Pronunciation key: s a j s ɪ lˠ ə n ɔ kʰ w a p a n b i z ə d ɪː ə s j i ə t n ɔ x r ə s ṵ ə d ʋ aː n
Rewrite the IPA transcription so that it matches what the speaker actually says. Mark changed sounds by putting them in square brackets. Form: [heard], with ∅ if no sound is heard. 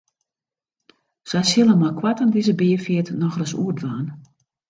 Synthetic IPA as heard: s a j s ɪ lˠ ə [m] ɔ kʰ w a [t] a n [d] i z ə [b] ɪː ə [f] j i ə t n ɔ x r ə s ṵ ə d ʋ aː n